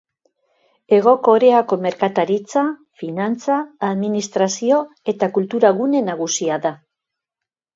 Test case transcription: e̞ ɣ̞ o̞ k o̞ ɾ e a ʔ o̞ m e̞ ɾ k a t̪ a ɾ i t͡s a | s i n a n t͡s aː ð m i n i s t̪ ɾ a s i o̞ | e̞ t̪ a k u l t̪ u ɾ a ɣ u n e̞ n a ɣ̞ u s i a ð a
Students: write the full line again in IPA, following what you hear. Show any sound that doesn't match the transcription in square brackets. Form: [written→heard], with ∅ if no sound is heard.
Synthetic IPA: e̞ ɣ̞ o̞ k o̞ ɾ e a [ʔ→k] o̞ m e̞ ɾ k a t̪ a ɾ i t͡s a | [s→f] i n a n t͡s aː ð m i n i s t̪ ɾ a s i o̞ | e̞ t̪ a k u l t̪ u ɾ a ɣ u n e̞ n a ɣ̞ u s i a ð a

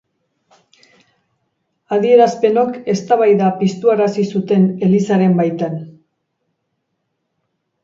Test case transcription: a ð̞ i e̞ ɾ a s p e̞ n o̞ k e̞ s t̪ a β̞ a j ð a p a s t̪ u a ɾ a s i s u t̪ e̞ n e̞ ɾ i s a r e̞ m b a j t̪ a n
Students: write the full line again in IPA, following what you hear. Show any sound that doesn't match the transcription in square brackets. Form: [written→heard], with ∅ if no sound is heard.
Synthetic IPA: a ð̞ i e̞ ɾ a s p e̞ n o̞ k e̞ s t̪ a β̞ a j ð a p [a→i] s t̪ u a ɾ a s i s u t̪ e̞ n e̞ [ɾ→l] i s a [r→ɾ] e̞ m b a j t̪ a n

